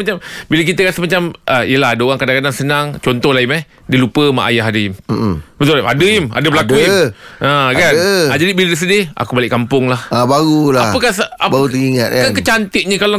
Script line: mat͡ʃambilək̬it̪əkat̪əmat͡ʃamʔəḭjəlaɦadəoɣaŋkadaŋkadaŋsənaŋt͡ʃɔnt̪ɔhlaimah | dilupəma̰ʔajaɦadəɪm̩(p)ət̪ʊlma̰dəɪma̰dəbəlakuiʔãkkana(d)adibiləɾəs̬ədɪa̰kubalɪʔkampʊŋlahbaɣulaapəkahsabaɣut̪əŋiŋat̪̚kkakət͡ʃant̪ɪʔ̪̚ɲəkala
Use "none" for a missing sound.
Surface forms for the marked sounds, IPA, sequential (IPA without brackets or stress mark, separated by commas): b, d͡ʒ